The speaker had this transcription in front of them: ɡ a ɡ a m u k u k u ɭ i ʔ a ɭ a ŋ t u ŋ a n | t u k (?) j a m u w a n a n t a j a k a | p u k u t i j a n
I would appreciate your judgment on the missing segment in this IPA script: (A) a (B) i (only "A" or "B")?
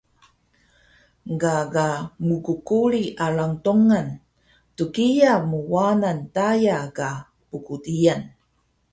B